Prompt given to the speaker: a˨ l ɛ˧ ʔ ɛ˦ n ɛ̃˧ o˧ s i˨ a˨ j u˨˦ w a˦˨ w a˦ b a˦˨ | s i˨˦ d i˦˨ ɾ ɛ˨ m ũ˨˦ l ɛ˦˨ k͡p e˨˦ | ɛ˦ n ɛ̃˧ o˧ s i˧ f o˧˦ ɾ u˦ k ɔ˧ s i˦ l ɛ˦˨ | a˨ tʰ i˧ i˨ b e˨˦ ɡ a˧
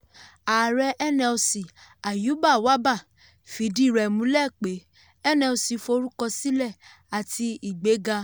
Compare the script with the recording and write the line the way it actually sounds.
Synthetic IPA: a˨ ɾ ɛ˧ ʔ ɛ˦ n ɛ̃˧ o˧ s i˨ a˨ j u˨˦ b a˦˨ w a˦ b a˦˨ | f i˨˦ d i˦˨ ɾ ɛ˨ m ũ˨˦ l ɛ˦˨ k͡p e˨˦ | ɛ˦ n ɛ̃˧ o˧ s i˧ f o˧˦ ɾ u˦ k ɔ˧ s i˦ l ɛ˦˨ | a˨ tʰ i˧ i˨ ɡ͡b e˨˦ ɡ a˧